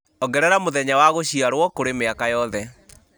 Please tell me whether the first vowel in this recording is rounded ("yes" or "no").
yes